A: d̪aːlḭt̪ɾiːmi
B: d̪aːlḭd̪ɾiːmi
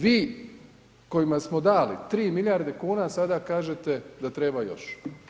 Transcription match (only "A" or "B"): A